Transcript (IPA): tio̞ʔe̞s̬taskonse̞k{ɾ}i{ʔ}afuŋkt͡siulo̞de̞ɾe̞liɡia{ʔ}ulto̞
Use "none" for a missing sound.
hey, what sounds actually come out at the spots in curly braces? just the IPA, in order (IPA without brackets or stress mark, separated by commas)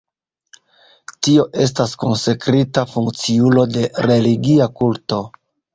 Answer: ɾ, t, k